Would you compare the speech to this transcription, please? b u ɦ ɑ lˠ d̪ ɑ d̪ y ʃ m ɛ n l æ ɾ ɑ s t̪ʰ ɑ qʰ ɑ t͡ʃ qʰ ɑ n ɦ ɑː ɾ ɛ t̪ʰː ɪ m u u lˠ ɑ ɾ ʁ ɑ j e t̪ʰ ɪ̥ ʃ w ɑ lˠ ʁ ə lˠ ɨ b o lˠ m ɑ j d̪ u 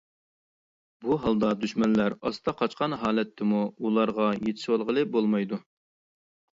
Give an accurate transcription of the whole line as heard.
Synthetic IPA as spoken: b u ɦ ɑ lˠ d̪ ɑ d̪ y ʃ m ɛ n l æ ɾ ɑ s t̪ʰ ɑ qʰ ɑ t͡ʃ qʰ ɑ n ɦ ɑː l ɛ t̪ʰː ɪ m u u lˠ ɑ ɾ ʁ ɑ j e t̪ʰ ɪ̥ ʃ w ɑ lˠ ʁ ə lˠ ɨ b o lˠ m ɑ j d̪ u